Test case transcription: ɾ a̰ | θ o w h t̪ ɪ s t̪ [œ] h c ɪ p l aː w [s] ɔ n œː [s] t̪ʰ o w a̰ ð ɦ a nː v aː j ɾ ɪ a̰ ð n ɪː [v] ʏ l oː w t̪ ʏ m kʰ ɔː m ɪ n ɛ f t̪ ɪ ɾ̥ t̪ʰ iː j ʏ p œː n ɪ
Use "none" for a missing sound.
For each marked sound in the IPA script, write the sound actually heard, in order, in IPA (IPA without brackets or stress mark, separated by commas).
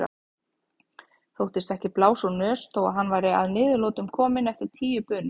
ɛ, s, s, ð